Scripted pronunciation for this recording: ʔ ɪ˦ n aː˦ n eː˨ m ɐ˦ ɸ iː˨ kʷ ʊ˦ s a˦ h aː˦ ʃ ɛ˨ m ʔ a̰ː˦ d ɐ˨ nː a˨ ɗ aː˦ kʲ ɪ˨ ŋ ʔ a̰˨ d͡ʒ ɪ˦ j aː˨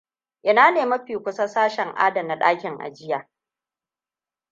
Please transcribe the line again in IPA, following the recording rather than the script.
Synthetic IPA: ʔ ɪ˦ n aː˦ n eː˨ m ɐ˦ ɸ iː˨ kʷ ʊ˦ s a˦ s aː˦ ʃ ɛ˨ ŋ ʔ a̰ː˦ d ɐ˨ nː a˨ ɗ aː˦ kʲ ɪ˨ ŋ ʔ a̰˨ d͡ʒ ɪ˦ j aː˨